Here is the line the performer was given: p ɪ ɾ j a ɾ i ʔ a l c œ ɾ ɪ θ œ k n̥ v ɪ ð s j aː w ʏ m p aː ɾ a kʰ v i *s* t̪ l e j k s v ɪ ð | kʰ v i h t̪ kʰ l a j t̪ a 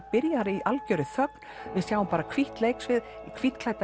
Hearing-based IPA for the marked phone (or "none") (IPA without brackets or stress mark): h